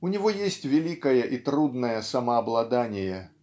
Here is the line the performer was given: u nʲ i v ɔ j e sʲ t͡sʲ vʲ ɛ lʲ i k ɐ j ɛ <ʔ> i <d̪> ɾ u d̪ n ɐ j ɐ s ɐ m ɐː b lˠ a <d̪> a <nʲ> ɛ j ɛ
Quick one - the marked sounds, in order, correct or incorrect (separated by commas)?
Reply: correct, incorrect, correct, correct